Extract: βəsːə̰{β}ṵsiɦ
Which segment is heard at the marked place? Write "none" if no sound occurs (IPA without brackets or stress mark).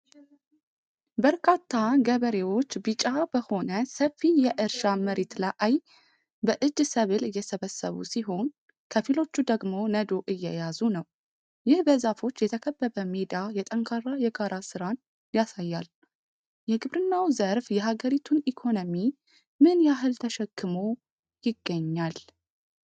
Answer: β